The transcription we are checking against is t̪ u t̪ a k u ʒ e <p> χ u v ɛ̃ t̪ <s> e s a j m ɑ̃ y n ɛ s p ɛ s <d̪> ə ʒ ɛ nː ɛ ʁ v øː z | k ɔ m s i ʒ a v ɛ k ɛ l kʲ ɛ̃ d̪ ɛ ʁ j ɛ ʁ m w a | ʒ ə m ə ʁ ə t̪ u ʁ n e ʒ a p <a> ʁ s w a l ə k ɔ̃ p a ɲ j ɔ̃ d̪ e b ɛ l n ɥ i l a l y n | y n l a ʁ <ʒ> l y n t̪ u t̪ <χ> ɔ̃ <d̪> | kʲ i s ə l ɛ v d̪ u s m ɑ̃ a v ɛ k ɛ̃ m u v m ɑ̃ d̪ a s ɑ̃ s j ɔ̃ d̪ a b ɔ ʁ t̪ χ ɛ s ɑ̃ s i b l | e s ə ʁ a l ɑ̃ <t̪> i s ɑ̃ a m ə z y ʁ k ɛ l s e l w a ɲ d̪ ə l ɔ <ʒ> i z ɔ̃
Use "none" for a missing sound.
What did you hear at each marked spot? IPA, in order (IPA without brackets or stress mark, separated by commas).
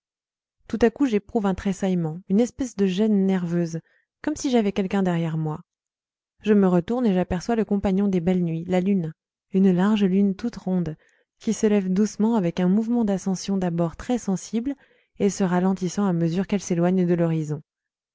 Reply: p, χ, d̪, ɛ, ʒ, ʁ, d̪, t̪, ʁ